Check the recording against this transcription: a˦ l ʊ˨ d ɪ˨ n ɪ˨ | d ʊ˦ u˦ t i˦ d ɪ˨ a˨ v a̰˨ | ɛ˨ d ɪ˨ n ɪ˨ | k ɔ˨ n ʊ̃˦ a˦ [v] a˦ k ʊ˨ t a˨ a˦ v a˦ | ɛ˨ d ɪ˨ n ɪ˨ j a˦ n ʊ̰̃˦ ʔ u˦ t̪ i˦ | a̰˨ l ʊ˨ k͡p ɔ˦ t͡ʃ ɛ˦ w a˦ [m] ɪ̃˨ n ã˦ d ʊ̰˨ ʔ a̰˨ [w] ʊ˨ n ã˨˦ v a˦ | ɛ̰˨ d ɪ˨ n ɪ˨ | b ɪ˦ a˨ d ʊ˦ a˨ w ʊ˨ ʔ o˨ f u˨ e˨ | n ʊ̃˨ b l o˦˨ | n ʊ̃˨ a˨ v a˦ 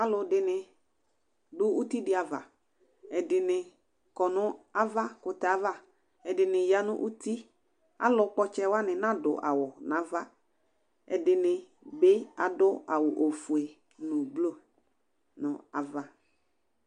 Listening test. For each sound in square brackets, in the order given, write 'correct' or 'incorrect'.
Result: correct, incorrect: n, correct

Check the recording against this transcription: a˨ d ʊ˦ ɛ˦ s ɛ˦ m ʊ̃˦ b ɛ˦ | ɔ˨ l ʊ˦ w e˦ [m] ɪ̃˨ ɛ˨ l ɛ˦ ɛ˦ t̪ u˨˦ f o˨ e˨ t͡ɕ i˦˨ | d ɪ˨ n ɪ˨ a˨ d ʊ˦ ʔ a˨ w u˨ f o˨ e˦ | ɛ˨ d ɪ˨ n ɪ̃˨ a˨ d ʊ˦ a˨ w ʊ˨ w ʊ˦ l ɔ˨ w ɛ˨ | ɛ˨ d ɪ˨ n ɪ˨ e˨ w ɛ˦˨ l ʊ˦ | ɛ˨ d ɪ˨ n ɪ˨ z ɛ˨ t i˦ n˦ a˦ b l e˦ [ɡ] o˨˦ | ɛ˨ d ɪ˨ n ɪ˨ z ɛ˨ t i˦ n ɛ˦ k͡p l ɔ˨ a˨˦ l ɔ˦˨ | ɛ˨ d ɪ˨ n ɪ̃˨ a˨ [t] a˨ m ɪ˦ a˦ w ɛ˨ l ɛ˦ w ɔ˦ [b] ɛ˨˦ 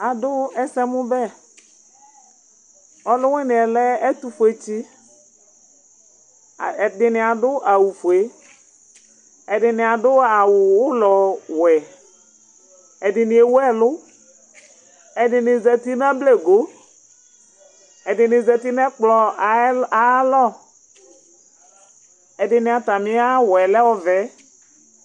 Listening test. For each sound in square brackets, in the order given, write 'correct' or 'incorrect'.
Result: incorrect: n, correct, correct, incorrect: v

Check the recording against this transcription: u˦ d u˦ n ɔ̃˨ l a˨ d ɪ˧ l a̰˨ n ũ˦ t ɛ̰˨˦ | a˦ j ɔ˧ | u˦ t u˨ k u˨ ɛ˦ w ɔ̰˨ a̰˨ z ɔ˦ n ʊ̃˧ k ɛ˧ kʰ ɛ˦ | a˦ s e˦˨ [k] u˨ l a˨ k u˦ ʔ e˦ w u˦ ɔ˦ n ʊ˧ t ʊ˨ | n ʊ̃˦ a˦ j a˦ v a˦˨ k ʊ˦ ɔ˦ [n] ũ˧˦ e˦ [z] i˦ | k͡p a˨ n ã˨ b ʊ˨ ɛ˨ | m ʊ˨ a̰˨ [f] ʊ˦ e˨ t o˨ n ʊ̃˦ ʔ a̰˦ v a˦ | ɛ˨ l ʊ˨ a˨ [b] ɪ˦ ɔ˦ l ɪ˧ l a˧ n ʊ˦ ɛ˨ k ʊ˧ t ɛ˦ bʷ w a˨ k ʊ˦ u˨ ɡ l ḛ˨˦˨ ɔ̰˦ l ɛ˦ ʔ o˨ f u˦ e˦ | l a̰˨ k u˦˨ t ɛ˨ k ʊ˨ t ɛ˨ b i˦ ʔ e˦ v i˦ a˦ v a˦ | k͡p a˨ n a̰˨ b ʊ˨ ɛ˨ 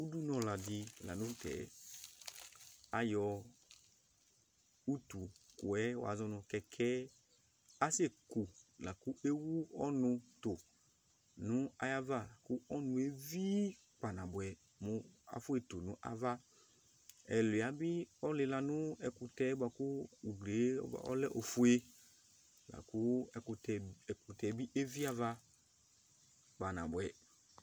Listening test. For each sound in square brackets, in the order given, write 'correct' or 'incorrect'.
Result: correct, correct, incorrect: v, correct, correct

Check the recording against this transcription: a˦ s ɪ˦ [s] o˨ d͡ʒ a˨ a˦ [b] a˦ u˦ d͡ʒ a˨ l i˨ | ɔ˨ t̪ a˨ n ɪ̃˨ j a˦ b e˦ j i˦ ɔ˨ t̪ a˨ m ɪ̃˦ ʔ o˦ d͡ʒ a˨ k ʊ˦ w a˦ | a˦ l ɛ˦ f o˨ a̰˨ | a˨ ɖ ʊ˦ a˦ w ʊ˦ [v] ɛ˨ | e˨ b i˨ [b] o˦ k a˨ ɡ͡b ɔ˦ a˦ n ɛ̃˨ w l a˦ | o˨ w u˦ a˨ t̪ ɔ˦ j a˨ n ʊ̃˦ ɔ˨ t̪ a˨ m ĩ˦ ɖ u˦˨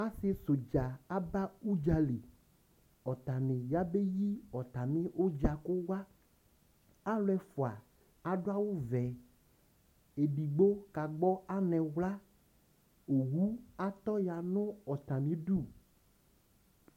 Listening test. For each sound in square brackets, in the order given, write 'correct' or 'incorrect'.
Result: correct, correct, correct, incorrect: ɡ͡b

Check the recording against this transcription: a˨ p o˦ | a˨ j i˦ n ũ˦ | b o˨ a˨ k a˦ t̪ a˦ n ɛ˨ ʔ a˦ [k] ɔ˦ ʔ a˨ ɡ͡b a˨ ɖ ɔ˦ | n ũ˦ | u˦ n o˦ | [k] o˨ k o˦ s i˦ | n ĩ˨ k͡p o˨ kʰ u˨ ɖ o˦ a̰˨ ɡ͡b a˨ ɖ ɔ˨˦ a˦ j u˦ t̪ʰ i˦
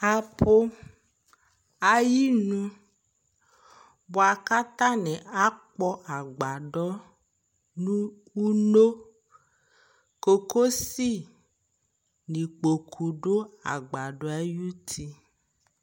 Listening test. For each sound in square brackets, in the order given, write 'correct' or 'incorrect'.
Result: incorrect: k͡p, correct

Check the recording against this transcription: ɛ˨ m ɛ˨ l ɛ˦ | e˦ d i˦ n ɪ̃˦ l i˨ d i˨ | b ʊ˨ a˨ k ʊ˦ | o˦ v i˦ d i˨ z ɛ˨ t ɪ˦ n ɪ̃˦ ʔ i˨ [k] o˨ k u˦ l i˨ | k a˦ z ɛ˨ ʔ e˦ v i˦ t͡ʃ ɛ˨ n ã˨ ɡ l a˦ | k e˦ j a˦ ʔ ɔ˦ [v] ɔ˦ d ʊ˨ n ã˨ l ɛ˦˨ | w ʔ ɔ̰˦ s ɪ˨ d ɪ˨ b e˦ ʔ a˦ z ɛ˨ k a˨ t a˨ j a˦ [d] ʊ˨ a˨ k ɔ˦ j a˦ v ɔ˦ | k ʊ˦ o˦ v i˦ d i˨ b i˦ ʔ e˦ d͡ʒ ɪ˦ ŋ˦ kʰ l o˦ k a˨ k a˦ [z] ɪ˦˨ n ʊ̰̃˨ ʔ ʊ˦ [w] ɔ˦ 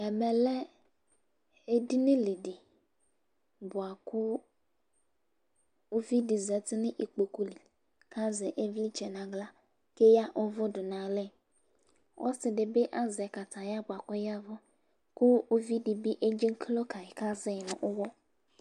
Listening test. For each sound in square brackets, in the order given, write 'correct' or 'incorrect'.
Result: incorrect: k͡p, correct, incorrect: b, correct, correct

